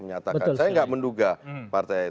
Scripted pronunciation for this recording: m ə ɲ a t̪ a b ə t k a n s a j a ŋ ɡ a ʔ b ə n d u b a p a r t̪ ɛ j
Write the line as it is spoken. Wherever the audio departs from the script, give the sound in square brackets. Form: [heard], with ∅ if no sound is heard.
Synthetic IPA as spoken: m ə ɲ a t̪ a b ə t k a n s a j a ŋ ɡ a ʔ [m] ə n d u [ɡ] a p a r t̪ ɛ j